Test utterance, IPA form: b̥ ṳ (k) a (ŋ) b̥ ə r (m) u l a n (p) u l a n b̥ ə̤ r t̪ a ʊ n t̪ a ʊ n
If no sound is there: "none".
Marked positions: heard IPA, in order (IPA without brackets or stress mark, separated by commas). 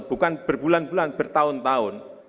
k, n, b, b